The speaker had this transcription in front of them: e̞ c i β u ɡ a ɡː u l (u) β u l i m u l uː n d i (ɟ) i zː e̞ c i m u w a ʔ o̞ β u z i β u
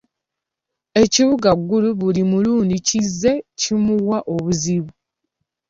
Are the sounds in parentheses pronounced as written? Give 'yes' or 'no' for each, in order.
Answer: yes, no

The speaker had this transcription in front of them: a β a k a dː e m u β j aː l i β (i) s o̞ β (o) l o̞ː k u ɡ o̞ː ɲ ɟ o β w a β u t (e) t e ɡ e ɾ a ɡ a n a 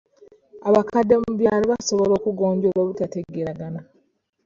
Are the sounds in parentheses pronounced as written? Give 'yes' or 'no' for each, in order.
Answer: no, yes, no

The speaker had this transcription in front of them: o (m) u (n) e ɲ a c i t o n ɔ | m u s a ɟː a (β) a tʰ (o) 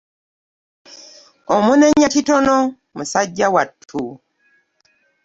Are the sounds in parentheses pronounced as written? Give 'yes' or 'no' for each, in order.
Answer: yes, yes, no, no

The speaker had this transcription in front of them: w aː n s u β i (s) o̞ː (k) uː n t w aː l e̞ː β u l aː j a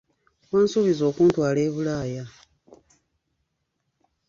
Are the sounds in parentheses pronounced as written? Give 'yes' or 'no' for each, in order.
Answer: no, yes

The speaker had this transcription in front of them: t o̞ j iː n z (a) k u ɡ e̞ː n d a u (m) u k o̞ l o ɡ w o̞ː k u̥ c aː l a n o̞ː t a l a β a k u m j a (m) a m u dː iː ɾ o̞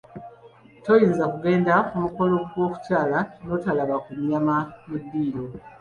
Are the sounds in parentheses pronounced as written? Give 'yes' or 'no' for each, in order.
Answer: yes, yes, yes

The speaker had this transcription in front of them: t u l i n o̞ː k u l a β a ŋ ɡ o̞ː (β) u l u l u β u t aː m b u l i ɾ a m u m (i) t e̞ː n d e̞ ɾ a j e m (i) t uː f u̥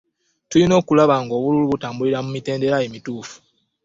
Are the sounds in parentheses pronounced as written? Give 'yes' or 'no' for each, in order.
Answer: yes, yes, yes

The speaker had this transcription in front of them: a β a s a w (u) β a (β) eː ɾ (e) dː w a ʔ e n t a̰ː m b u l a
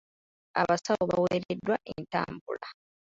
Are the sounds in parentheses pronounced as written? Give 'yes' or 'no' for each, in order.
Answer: no, no, yes

